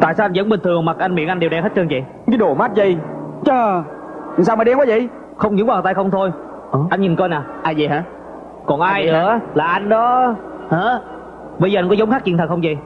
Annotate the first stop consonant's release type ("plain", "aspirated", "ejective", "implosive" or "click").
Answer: plain